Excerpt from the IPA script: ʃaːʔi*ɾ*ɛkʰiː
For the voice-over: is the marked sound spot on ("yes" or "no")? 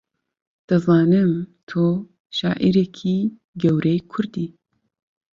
yes